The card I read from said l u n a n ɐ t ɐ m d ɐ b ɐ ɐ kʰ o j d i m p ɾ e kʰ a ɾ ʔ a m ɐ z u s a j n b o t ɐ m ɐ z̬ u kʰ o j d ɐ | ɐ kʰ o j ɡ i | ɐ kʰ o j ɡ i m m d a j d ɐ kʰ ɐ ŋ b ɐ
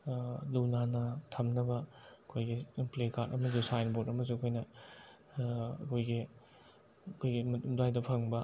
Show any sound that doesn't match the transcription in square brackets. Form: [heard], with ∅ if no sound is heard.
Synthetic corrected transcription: l u n a n ɐ [tʰ] ɐ m [n] ɐ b ɐ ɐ kʰ o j [ɡ] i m p [l] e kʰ a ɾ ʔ [ɐ] m ɐ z u s a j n b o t ɐ m ɐ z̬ u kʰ o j [n] ɐ | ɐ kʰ o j ɡ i | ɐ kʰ o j ɡ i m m d a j d ɐ [pʰ] ɐ ŋ b ɐ